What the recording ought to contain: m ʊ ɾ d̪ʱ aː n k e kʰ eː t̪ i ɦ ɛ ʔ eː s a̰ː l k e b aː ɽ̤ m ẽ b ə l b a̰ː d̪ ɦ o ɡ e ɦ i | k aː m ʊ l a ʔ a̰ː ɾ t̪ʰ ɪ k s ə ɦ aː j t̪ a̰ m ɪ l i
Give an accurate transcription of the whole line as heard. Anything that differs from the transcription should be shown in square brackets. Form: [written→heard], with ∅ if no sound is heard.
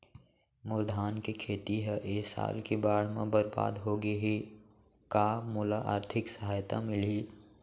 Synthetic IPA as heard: m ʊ ɾ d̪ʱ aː n k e kʰ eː t̪ i ɦ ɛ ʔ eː s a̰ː l k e b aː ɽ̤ m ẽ b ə [l→ɾ] b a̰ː d̪ ɦ o ɡ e ɦ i | k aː m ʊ l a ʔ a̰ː ɾ t̪ʰ ɪ k s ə ɦ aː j t̪ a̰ m ɪ l i